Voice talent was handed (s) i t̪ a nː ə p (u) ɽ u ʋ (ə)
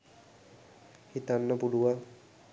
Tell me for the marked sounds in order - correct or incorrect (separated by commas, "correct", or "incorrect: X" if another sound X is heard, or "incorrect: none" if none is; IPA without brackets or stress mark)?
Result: incorrect: h, correct, incorrect: a